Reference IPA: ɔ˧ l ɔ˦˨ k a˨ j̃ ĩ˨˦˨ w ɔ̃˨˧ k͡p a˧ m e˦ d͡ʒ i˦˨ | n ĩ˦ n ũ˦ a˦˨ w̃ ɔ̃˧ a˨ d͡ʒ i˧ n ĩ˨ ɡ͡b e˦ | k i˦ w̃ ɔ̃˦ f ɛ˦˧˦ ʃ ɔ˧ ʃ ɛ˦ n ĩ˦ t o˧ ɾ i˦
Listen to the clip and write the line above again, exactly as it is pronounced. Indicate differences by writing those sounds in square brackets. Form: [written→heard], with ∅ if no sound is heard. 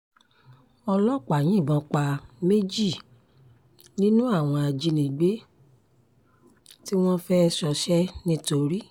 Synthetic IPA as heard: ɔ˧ l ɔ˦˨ [k→k͡p] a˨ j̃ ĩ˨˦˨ [w→b] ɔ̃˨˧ k͡p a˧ m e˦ d͡ʒ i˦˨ | n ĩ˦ n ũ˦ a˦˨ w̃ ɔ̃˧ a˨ d͡ʒ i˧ n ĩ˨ ɡ͡b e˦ | [k→t] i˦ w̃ ɔ̃˦ f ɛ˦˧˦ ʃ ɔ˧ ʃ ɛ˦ n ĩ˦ t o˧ ɾ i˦